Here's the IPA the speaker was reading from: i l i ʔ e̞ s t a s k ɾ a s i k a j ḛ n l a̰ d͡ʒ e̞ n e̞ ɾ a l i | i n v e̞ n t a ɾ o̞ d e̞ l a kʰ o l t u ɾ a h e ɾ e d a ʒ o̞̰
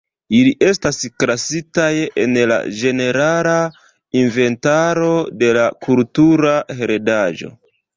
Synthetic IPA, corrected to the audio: i l i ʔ e̞ s t a s k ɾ a s i t a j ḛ n l a̰ d͡ʒ e̞ n e̞ ɾ a l a | i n v e̞ n t a ɾ o̞ d e̞ l a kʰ u l t u ɾ a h e ɾ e d a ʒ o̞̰